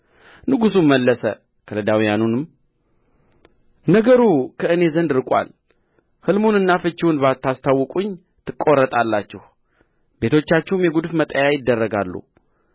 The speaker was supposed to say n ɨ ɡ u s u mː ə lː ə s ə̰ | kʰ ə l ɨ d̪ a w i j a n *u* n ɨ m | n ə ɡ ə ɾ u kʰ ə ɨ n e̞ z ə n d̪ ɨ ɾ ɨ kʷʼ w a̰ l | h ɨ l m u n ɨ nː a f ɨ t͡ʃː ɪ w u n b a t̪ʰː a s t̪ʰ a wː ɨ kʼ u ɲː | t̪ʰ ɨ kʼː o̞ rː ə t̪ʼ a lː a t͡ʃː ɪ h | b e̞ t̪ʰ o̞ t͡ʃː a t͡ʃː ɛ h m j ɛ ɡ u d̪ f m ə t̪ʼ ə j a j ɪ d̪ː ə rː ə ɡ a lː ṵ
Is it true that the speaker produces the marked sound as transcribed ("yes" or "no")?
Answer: yes